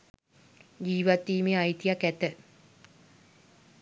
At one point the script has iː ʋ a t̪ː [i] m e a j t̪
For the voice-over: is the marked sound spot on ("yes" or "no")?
no